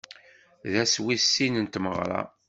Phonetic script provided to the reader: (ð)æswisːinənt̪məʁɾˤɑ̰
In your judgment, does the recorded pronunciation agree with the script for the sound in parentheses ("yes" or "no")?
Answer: yes